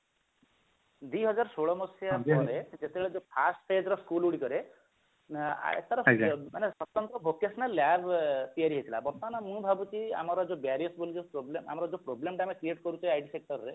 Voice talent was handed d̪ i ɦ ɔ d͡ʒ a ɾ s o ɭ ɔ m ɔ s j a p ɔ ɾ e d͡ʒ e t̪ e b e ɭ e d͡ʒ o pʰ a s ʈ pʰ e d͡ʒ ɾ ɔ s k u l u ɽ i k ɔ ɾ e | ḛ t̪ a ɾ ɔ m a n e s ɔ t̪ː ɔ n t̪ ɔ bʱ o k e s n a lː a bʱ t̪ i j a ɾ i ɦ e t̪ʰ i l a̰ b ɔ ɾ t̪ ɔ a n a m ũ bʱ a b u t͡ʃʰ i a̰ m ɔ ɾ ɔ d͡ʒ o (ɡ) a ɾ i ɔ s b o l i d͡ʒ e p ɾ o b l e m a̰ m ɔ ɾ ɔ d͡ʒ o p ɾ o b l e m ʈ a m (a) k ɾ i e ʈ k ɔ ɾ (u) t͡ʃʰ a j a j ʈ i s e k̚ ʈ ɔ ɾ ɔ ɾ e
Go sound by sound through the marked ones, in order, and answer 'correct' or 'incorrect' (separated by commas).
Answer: incorrect, incorrect, correct